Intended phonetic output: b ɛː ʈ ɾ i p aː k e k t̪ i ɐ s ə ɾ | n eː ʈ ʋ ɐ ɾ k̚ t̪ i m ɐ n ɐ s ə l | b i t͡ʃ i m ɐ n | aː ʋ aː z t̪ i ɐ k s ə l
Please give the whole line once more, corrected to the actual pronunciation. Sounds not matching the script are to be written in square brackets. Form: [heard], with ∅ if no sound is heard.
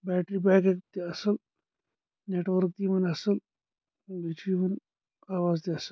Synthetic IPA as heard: b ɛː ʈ ɾ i [b] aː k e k t̪ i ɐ s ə [l] | n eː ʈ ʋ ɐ ɾ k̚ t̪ i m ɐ n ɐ s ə l | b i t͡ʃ i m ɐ n | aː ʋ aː z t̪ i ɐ [∅] s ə l